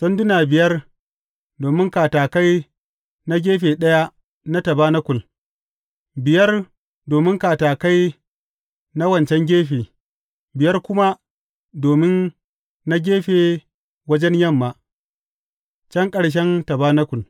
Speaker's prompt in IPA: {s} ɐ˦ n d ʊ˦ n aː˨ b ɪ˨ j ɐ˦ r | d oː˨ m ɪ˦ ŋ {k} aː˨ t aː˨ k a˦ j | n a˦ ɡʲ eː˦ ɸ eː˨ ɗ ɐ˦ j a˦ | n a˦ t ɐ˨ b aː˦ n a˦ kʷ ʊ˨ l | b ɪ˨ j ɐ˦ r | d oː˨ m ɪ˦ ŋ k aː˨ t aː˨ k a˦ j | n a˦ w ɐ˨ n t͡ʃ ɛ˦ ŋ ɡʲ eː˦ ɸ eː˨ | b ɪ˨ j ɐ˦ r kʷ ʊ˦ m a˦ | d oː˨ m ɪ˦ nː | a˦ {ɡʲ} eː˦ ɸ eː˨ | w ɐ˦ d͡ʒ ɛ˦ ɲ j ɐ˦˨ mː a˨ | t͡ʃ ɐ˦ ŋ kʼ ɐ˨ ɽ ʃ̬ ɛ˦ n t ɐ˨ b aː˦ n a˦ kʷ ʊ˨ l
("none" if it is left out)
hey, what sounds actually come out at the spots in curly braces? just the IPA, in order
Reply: s, k, ɡʲ

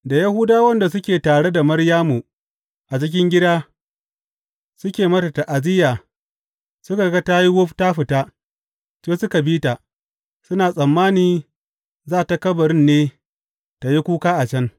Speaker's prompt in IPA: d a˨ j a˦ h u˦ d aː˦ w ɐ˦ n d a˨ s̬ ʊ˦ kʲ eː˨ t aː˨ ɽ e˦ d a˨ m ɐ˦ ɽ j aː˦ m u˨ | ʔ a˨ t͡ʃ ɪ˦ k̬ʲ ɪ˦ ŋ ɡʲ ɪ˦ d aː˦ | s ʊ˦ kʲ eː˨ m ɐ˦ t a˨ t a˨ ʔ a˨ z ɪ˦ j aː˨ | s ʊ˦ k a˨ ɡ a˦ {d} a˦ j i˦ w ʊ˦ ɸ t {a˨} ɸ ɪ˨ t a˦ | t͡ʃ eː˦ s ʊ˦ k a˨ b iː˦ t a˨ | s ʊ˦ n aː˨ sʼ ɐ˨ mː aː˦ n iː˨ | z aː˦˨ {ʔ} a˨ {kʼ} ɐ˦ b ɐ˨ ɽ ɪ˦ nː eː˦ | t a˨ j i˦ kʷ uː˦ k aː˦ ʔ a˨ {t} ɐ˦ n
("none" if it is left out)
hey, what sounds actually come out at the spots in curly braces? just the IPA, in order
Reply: t, a˦, t, k, t͡ʃ

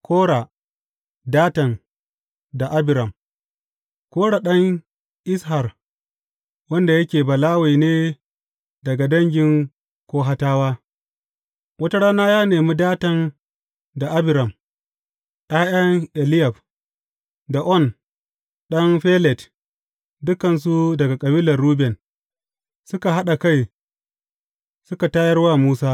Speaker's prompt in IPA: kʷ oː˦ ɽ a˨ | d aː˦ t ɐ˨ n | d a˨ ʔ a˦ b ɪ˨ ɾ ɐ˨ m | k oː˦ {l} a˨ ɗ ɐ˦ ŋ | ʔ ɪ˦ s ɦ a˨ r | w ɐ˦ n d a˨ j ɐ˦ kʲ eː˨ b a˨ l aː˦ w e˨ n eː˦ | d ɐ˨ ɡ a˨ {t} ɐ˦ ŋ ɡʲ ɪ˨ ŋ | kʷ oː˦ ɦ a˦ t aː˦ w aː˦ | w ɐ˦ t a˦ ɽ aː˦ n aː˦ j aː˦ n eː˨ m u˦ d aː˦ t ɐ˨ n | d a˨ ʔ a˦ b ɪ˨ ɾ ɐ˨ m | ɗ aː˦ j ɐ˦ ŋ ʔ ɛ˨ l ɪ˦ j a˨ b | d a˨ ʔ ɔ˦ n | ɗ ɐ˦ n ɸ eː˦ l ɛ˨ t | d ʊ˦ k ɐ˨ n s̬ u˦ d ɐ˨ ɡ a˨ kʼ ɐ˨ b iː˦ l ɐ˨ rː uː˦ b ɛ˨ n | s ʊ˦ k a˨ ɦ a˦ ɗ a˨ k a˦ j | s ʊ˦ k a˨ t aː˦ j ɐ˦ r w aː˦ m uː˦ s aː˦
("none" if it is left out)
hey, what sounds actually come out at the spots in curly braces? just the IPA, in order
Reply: ɽ, d

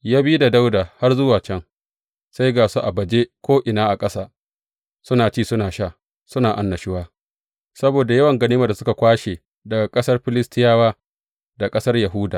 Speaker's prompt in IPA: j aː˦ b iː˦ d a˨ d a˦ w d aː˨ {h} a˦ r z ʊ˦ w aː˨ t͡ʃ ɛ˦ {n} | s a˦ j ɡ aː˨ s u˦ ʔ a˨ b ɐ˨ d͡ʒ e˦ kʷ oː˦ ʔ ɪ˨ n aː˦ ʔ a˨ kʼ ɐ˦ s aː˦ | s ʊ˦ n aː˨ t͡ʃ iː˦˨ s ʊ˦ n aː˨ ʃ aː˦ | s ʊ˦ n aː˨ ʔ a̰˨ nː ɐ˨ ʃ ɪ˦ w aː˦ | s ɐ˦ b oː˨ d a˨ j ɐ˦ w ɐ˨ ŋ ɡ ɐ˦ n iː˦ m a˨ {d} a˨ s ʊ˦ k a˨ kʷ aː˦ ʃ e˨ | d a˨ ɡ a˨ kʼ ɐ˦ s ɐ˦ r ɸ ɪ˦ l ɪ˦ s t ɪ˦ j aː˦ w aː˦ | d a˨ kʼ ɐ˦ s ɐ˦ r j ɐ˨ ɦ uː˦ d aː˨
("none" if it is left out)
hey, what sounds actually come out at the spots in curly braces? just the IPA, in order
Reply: h, ŋ, d

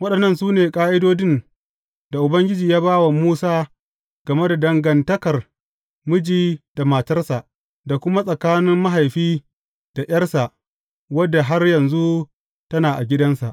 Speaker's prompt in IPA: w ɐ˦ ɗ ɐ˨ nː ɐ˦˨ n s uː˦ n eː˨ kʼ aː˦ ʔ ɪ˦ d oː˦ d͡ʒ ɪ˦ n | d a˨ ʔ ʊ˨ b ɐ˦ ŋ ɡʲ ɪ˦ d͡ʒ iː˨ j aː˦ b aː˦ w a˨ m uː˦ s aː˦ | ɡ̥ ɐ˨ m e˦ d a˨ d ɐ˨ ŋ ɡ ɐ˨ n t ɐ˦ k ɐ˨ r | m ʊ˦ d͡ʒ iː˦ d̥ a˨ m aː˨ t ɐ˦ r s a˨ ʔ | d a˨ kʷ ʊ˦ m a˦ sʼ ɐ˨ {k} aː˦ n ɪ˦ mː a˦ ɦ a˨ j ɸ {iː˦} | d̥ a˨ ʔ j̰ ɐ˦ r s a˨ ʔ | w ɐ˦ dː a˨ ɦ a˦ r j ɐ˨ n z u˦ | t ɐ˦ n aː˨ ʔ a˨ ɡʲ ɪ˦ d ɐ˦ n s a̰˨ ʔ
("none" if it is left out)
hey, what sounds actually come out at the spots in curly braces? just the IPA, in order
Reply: k, iː˦

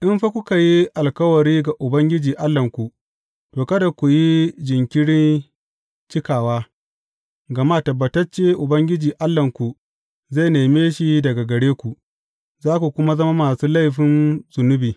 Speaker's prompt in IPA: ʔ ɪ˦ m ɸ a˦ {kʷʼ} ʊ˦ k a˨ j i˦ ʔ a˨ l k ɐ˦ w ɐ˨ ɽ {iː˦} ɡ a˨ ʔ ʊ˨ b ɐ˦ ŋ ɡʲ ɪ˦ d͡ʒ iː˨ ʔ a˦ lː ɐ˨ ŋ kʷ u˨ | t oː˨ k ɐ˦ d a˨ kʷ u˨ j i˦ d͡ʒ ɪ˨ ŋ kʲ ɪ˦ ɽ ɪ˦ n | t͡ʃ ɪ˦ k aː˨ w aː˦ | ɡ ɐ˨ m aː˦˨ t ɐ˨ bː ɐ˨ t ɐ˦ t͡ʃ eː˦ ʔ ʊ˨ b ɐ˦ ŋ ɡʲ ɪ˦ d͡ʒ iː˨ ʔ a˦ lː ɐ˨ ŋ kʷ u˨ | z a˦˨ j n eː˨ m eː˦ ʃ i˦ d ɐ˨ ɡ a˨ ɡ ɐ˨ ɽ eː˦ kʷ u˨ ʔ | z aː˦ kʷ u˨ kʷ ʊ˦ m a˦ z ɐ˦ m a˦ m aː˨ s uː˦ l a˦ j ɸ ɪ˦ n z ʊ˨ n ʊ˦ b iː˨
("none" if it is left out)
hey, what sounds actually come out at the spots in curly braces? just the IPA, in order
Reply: kʷ, iː˦

